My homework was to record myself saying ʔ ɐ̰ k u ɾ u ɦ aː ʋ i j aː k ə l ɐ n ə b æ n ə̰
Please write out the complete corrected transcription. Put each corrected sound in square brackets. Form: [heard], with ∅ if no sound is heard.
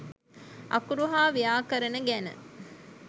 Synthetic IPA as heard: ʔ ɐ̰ k u ɾ u ɦ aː ʋ i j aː k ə [ɾ] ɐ n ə [ɡ] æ n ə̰